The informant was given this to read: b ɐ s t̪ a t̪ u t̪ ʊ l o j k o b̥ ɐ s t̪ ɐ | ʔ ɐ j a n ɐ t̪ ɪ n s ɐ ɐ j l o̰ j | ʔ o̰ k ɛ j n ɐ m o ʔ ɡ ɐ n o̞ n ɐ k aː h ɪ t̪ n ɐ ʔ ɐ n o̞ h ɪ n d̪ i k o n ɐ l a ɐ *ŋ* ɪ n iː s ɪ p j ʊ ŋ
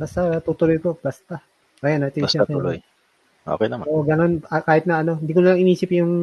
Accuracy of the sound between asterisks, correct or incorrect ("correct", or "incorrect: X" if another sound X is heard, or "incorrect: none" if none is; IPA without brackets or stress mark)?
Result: correct